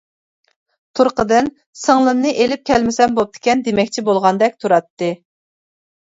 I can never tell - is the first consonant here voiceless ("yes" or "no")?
yes